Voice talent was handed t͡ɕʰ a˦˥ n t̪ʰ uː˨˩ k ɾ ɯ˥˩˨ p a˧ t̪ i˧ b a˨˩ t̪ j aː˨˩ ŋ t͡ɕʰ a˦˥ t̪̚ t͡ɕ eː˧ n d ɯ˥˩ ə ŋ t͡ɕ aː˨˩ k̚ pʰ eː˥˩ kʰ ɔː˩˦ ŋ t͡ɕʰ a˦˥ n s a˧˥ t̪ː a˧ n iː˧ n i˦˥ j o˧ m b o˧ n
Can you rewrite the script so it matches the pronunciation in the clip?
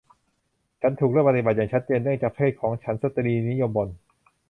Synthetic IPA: t͡ɕʰ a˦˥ n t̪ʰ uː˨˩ k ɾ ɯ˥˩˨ p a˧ t̪ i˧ b a˨˩ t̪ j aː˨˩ ŋ t͡ɕʰ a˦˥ t̪̚ t͡ɕ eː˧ n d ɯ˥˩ ə ŋ t͡ɕ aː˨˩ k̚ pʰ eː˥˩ kʰ ɔː˩˦ ŋ t͡ɕʰ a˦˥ n s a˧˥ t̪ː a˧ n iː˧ n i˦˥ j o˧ m b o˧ n

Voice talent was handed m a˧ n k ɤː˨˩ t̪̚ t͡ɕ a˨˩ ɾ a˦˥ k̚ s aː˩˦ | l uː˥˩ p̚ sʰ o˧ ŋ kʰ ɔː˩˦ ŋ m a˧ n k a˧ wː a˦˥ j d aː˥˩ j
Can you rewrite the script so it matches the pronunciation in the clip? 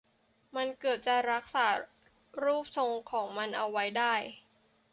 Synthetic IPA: m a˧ n k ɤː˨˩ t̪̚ t͡ɕ a˨˩ ɾ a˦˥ k̚ s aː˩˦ | ɾ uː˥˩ p̚ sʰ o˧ ŋ kʰ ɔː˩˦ ŋ m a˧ n ʔ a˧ wː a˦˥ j d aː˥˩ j

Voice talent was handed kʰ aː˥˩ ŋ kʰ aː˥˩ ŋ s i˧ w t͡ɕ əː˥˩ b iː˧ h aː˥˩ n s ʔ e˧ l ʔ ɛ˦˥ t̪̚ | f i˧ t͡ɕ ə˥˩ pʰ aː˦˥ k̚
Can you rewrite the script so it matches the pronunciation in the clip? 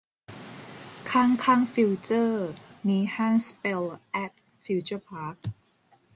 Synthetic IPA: kʰ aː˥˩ ŋ kʰ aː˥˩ ŋ f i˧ w t͡ɕ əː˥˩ m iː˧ h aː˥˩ n s p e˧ l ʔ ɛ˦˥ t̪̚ | f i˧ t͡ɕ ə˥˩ pʰ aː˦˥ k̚

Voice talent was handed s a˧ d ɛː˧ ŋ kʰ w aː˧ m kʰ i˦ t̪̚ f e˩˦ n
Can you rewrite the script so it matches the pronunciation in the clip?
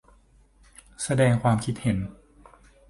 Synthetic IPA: s a˧ d ɛː˧ ŋ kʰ w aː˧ m kʰ i˦ t̪̚ h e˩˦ n

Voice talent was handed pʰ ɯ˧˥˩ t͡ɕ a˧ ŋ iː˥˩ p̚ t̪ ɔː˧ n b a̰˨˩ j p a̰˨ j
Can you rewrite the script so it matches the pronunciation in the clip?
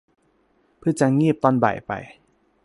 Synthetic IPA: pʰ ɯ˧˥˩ t͡ɕ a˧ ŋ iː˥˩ p̚ t̪ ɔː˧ n b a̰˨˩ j p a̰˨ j

